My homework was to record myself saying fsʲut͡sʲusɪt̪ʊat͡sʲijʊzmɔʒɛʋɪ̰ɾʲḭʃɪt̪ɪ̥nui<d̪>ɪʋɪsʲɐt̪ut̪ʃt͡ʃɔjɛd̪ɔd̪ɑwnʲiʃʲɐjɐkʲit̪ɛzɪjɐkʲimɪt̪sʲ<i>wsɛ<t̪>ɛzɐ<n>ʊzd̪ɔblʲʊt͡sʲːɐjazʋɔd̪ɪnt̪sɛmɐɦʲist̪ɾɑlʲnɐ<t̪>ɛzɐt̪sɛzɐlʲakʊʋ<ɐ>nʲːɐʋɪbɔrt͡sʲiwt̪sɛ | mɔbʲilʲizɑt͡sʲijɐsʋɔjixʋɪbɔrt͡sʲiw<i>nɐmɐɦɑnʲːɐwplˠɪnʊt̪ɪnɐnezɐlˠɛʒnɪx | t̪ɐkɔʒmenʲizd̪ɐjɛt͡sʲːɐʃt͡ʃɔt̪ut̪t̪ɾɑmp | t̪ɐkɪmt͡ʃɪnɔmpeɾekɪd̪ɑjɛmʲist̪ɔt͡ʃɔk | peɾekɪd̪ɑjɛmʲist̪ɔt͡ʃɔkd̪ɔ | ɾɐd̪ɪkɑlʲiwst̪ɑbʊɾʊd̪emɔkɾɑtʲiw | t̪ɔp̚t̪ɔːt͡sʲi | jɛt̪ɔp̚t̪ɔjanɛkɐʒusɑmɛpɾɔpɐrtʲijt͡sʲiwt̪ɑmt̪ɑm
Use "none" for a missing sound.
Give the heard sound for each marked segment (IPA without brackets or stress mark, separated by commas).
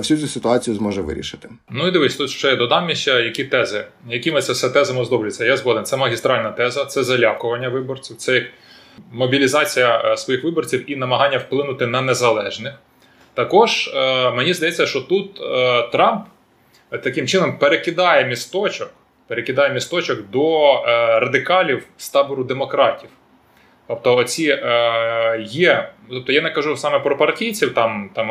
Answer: d̪, ɛ, t̪, m, t̪, ɐ, i